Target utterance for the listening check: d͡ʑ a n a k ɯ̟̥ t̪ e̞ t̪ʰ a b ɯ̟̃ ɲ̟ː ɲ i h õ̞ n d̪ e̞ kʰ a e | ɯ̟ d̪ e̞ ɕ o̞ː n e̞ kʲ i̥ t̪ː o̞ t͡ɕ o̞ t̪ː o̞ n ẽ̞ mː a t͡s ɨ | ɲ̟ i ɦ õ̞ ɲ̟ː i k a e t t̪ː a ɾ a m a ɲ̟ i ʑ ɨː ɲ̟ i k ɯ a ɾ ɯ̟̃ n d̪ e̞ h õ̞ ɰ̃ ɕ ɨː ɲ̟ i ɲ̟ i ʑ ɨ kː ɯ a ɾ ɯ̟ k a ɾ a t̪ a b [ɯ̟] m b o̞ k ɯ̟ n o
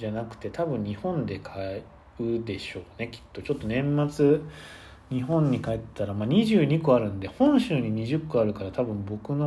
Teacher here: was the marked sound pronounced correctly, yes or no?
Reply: no